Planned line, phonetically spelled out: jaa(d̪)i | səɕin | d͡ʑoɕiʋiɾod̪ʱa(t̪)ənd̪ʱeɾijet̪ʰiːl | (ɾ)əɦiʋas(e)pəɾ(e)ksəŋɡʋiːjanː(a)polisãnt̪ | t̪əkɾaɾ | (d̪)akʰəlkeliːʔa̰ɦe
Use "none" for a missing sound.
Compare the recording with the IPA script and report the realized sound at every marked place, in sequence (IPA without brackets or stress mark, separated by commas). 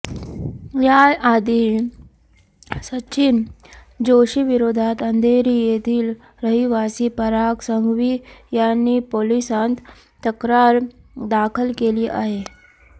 d̪, t̪, ɾ, i, a, i, d̪